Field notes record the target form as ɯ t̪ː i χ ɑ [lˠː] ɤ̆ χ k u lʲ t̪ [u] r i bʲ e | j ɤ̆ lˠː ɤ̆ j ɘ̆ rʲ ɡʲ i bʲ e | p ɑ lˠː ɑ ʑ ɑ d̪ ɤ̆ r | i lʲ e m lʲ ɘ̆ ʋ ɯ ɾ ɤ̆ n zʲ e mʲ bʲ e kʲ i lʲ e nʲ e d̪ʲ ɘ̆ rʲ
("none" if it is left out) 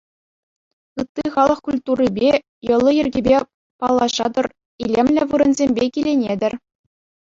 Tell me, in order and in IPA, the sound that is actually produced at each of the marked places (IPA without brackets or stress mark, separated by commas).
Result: lˠ, u